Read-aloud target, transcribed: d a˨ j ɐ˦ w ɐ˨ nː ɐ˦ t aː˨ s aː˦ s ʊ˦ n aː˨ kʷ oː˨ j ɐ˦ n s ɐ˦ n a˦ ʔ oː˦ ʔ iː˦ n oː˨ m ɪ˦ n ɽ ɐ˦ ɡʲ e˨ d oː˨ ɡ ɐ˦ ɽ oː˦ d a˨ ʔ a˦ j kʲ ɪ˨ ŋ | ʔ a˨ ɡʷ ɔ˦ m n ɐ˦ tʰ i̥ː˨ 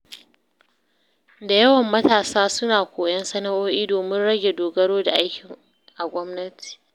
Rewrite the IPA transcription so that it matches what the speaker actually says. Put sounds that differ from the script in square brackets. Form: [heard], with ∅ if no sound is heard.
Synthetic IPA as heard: d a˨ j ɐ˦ w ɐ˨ [mː] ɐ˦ t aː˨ s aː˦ s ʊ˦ n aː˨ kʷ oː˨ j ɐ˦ n s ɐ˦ n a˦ ʔ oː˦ ʔ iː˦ [d] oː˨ m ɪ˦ n ɽ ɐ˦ ɡʲ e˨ d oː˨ ɡ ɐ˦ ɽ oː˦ d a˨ ʔ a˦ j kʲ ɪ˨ ŋ | ʔ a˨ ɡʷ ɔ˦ m n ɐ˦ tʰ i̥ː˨